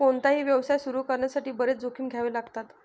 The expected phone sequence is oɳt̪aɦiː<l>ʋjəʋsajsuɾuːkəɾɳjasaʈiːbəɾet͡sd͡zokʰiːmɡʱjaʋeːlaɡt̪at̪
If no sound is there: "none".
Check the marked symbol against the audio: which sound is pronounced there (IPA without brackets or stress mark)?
none